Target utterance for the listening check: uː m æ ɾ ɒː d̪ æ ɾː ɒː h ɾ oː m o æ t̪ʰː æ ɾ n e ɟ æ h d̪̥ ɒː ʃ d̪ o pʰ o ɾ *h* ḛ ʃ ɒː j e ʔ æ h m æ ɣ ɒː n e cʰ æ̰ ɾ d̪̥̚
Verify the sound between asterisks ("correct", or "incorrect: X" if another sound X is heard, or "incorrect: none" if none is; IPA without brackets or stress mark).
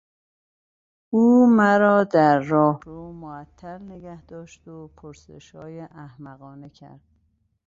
incorrect: s